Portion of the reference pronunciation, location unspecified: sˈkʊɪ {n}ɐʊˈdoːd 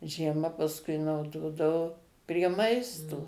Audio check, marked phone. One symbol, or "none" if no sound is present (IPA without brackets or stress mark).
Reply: n